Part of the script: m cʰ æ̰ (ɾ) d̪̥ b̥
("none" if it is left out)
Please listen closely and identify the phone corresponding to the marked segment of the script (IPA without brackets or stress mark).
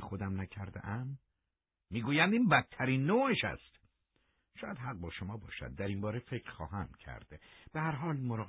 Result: ɾ